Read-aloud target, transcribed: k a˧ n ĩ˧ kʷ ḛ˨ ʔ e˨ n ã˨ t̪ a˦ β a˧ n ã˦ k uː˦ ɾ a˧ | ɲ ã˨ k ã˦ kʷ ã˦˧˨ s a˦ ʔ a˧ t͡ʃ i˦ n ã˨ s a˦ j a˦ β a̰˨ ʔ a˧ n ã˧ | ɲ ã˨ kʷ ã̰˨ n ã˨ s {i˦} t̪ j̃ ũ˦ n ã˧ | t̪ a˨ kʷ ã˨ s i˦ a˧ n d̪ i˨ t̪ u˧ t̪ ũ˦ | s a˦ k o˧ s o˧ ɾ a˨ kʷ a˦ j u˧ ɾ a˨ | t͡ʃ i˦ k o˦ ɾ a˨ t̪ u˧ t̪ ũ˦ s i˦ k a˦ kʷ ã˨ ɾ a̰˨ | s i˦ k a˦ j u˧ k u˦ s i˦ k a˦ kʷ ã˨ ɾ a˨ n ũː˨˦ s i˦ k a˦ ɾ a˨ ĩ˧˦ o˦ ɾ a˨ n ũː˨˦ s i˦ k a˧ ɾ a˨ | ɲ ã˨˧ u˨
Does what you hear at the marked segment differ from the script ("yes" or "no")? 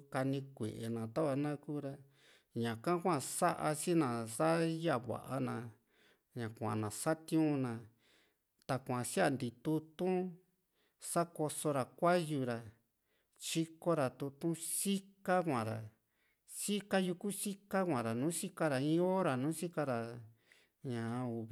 yes